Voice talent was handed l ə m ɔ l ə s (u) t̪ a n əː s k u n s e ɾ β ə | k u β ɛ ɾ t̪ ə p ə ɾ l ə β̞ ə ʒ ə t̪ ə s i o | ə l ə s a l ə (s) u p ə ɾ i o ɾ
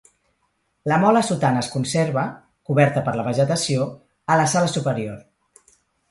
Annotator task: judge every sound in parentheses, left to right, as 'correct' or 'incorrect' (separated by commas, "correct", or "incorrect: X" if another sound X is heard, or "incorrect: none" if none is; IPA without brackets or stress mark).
correct, correct